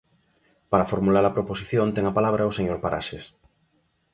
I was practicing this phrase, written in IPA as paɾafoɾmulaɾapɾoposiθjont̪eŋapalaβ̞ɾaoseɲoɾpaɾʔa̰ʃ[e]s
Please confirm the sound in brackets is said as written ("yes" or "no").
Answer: yes